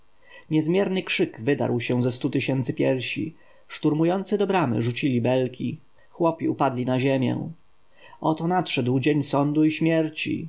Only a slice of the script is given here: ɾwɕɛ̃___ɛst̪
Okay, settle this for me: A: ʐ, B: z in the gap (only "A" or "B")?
B